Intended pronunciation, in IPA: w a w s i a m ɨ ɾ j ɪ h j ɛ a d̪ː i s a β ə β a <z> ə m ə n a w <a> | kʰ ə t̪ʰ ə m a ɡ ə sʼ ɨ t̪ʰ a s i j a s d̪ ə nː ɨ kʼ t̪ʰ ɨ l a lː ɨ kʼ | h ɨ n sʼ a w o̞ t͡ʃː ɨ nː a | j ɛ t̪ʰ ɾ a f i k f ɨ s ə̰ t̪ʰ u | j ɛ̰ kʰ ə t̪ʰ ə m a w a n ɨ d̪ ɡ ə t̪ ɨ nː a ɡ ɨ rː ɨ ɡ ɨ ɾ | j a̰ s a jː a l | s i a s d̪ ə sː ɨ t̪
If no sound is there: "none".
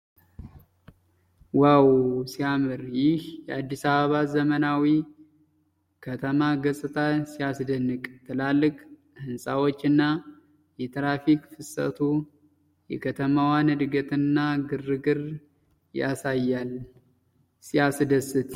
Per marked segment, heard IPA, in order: z, i

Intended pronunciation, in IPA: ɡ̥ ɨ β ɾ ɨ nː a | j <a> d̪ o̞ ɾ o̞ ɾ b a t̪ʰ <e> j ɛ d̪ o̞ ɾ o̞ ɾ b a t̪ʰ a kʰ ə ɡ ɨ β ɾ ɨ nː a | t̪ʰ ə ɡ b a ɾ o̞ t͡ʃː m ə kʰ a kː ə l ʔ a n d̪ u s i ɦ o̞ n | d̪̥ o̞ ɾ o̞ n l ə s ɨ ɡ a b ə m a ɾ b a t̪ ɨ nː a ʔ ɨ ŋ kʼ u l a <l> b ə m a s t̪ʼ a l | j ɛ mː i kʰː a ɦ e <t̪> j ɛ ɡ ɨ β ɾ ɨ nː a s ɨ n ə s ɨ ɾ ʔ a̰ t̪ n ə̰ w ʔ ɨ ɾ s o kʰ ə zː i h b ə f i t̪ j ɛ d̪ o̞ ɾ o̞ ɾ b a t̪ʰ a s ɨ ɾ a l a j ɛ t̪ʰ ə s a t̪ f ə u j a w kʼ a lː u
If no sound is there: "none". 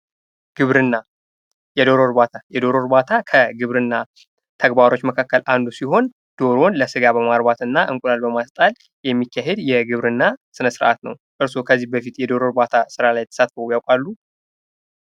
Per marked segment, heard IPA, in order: ɛ, a, l, d̪

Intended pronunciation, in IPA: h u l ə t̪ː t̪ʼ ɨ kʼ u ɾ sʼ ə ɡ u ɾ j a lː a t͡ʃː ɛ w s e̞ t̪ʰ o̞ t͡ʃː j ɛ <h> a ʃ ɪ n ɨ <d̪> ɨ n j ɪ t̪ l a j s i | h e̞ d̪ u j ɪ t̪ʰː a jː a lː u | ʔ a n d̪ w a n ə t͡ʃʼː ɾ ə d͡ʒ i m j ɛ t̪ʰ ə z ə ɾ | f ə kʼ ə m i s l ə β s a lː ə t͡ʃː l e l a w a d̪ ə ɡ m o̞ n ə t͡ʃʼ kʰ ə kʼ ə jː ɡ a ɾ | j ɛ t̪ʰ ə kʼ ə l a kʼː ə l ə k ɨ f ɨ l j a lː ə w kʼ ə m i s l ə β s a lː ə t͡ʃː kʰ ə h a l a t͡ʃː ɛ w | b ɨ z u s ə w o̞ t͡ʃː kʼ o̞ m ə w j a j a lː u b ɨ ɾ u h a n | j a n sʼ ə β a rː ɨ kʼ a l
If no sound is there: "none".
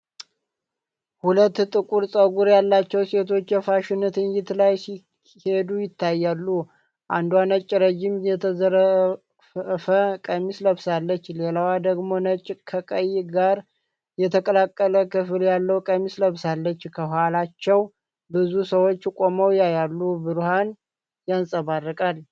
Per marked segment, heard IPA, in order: f, t̪

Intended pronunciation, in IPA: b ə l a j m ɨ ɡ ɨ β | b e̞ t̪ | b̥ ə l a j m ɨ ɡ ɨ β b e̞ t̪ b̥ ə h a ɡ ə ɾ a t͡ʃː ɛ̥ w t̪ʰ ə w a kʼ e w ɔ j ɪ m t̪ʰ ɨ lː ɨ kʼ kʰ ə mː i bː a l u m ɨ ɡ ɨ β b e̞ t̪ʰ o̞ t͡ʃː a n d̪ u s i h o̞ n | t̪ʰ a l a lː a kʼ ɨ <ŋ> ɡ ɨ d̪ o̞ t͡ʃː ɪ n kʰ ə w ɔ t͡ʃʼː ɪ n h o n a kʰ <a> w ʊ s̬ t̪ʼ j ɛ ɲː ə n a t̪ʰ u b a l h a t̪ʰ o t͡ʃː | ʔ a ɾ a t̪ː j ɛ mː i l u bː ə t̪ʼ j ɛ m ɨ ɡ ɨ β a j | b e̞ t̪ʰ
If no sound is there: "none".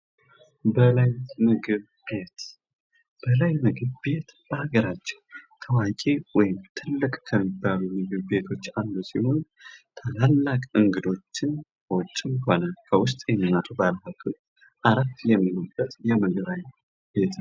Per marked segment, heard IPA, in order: ŋ, ə

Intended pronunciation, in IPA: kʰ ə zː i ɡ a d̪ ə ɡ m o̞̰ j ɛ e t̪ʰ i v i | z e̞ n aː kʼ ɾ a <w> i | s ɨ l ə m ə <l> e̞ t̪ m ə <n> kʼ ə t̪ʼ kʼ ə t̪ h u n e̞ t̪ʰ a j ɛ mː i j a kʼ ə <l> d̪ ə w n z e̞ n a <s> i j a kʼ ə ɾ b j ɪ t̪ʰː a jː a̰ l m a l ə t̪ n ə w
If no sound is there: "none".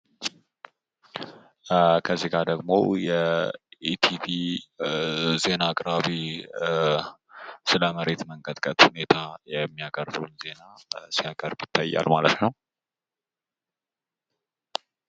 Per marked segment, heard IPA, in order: β, ɾ, ŋ, ɾ, s

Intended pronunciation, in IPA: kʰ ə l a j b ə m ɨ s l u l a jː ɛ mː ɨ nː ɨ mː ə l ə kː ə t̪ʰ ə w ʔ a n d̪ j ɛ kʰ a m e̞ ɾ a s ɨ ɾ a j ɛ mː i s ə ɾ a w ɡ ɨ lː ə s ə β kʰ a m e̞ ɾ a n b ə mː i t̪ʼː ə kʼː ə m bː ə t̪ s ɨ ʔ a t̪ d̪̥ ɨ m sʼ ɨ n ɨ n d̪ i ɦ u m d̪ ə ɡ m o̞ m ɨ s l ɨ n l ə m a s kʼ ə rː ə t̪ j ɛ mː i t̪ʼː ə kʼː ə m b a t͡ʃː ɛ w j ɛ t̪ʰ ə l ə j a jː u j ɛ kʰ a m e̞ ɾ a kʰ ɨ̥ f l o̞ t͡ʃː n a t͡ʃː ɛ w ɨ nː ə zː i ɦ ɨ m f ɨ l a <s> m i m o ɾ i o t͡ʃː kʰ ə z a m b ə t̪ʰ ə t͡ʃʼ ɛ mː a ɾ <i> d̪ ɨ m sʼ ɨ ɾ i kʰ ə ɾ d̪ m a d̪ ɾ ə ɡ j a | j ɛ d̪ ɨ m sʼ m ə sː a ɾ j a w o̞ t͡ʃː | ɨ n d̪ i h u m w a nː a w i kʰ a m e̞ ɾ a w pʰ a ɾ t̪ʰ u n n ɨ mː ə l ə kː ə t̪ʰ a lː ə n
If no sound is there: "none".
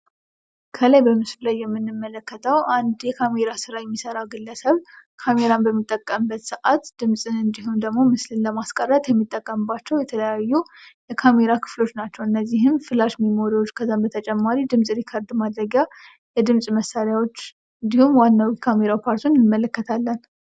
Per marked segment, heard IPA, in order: ʃ, i

